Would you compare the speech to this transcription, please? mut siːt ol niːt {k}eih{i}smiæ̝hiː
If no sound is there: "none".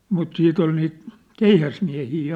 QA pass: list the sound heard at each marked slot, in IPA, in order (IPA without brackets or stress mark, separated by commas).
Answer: k, æ